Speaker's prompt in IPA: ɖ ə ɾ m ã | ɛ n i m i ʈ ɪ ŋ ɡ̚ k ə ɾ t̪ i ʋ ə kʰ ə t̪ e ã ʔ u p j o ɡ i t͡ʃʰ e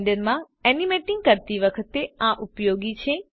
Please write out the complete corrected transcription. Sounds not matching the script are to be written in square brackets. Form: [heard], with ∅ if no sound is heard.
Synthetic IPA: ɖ ə ɾ m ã | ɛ n i m [e] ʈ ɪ ŋ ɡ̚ k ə ɾ t̪ i ʋ ə kʰ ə t̪ e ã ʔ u p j o ɡ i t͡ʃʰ e